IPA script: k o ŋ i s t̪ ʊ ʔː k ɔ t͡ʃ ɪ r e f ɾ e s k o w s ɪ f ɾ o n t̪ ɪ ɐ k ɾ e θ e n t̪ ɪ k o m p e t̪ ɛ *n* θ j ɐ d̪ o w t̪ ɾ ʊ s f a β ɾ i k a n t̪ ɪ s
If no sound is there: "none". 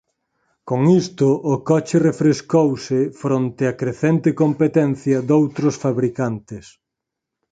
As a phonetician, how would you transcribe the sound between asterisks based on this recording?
n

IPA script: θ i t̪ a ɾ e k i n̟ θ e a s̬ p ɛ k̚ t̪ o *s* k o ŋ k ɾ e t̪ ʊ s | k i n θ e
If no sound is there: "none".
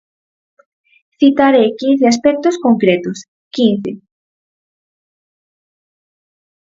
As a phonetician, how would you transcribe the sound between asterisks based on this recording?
s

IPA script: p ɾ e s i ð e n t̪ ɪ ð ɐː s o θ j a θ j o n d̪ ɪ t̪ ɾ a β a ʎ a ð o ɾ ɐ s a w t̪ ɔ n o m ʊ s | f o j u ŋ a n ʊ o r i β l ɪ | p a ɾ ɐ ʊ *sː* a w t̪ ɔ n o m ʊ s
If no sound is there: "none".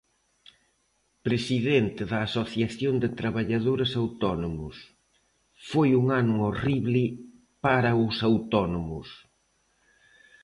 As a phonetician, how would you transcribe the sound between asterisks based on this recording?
s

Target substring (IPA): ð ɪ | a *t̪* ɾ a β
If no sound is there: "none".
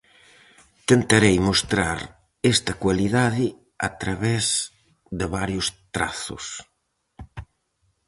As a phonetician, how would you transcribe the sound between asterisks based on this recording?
t̪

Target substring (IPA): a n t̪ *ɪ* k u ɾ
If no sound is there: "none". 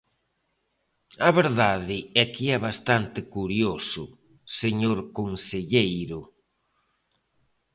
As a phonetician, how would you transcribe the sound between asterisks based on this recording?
ɪ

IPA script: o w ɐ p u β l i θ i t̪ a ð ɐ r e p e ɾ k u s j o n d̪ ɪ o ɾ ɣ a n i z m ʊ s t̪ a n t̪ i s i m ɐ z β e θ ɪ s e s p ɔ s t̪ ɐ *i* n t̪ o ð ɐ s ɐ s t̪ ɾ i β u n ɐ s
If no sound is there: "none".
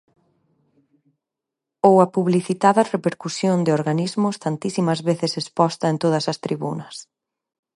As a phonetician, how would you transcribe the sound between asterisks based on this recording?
e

